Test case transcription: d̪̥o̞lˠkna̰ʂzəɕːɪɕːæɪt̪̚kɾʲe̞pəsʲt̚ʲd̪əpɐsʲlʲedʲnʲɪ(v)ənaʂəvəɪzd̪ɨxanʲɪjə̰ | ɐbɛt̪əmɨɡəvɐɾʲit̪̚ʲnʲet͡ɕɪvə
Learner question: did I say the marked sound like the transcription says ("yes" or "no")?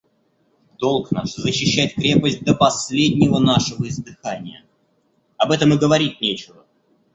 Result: yes